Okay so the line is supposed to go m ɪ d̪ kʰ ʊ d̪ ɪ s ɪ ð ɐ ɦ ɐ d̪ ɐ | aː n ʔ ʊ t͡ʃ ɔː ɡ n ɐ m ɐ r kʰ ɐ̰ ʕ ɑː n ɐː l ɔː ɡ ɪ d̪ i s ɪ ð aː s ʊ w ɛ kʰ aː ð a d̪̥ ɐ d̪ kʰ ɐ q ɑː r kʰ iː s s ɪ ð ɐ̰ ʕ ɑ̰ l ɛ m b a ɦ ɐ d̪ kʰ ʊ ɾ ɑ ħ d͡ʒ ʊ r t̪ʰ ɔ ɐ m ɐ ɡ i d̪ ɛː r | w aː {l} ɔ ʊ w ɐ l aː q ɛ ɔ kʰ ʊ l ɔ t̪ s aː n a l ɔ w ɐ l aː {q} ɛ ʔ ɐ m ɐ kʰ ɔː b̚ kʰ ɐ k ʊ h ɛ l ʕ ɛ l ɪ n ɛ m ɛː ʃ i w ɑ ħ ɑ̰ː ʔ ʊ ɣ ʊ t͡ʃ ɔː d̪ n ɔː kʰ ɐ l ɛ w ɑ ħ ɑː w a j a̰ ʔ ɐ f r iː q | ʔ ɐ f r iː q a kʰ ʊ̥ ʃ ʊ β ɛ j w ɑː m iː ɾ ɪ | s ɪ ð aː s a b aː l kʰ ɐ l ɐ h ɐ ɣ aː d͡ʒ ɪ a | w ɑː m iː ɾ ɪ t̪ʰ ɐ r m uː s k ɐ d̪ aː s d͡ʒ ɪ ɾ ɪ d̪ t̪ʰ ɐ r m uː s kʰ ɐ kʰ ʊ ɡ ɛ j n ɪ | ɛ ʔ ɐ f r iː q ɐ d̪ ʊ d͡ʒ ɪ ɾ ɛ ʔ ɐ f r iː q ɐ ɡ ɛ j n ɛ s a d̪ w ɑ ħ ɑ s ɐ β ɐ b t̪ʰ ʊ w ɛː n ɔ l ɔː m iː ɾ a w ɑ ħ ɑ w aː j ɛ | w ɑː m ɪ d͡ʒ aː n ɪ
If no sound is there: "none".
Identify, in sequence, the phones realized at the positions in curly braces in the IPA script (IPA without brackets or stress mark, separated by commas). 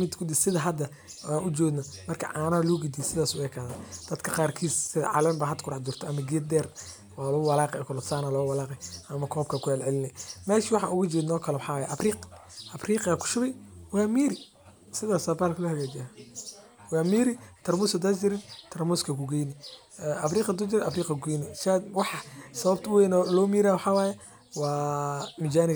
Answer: l, q